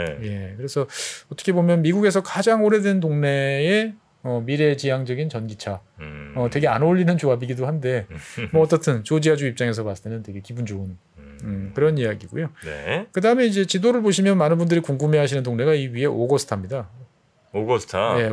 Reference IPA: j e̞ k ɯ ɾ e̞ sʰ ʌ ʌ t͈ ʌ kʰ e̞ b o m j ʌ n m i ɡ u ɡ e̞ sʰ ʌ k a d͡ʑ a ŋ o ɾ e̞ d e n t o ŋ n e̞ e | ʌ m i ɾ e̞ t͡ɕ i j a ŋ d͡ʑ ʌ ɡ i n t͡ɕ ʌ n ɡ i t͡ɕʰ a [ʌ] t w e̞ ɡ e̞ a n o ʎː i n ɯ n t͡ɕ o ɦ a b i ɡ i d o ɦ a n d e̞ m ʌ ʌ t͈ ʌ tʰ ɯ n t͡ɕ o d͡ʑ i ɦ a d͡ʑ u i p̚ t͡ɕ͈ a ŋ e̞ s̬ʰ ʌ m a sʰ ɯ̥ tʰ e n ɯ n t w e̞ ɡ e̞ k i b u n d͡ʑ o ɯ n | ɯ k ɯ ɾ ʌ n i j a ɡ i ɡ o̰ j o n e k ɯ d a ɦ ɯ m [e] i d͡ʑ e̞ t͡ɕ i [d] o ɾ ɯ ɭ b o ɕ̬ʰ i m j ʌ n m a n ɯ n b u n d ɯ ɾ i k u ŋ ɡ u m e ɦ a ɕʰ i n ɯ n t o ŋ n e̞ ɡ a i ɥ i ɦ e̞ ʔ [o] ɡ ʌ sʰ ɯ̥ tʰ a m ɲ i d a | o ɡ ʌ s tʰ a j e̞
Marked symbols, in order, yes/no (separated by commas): yes, yes, yes, yes